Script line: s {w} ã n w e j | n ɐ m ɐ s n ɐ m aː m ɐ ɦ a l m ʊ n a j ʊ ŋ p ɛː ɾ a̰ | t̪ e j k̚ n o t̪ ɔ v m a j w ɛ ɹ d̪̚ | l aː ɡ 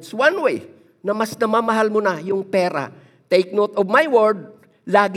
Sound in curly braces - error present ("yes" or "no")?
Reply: no